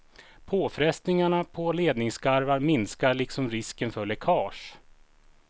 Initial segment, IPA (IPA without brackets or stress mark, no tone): pʰ